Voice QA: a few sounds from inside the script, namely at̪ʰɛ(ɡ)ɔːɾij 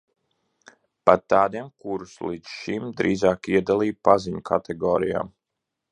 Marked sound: correct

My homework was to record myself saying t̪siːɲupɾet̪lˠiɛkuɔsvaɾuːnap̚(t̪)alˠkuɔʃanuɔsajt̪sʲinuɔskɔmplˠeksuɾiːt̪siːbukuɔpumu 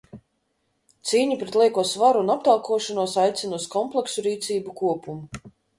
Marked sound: correct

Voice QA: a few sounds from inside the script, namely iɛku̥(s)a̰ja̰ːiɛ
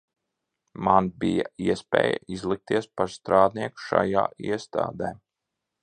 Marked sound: incorrect: ʃ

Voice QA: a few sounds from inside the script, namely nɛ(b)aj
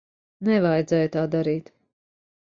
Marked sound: incorrect: v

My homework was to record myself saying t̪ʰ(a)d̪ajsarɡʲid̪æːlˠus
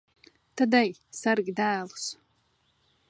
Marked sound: correct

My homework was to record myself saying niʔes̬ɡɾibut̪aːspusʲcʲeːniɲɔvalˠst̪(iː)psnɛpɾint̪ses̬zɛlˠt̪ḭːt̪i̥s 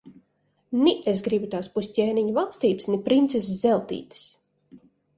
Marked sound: correct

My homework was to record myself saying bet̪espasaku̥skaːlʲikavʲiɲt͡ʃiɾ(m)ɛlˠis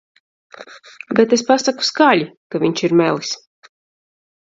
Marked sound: correct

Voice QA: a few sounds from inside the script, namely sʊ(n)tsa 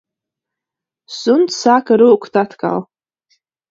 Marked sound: correct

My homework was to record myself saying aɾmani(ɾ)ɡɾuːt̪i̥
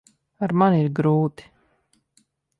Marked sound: correct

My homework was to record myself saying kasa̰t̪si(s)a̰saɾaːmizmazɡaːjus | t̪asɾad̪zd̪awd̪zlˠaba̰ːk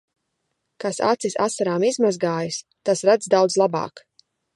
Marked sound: correct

